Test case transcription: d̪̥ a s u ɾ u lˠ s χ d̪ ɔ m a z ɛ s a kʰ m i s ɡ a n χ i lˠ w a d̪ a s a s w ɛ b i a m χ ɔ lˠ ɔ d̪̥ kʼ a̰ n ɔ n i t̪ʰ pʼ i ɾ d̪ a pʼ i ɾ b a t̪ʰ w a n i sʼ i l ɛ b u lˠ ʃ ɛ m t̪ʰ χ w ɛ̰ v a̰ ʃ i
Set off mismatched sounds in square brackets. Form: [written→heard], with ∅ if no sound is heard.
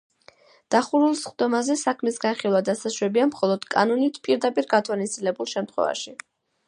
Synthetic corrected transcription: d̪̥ a [s→χ] u ɾ u lˠ s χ d̪ ɔ m a z ɛ s a kʰ m i s ɡ a n χ i lˠ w a d̪ a s a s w ɛ b i a m χ ɔ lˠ ɔ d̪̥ kʼ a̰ n ɔ n i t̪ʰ pʼ i ɾ d̪ a pʼ i ɾ [b→ɡ] a t̪ʰ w a n i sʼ i l ɛ b u lˠ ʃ ɛ m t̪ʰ χ w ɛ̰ v a̰ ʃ i